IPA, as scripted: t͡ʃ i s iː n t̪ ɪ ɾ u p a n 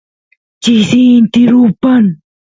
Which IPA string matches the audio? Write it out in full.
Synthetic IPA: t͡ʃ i s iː n t̪ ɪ ɾ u p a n